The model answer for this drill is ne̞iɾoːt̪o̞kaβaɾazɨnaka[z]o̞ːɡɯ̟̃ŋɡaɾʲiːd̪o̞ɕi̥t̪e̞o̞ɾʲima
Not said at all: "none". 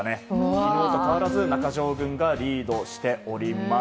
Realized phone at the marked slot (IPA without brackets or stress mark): ʑ